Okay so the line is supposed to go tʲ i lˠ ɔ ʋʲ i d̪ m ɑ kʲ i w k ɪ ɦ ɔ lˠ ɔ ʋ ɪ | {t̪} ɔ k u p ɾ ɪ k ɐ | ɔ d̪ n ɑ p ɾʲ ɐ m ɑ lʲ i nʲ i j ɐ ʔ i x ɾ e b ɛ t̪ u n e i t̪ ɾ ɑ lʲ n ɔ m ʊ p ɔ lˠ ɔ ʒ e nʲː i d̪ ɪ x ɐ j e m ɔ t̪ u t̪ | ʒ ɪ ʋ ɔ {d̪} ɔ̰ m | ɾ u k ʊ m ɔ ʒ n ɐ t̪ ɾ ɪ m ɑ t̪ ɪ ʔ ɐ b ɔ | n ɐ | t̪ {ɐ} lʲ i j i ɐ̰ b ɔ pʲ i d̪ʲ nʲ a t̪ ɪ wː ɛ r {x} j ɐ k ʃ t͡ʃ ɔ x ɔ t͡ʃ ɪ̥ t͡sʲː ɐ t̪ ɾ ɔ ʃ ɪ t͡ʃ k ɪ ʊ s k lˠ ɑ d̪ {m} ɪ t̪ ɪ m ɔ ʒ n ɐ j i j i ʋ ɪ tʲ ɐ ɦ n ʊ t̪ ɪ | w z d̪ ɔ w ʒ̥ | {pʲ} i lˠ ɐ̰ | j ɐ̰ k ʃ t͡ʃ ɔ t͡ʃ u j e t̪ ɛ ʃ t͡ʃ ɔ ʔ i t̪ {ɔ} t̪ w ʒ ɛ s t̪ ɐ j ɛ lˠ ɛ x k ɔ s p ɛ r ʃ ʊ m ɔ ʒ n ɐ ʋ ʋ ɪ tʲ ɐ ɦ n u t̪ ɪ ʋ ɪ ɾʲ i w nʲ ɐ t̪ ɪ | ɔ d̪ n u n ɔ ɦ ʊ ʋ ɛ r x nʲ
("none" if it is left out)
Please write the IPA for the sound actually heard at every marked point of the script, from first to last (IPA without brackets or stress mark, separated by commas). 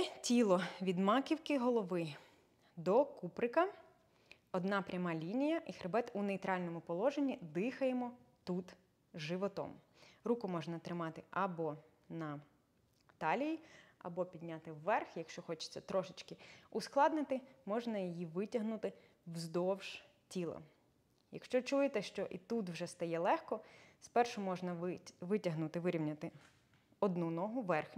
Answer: d̪, t̪, ɑ, x, n, tʲ, u